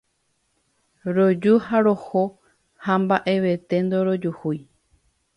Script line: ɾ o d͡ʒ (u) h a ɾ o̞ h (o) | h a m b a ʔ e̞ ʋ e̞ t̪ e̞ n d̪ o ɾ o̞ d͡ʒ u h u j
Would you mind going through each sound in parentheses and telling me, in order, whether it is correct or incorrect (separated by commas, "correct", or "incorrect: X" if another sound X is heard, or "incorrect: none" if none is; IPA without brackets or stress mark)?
correct, correct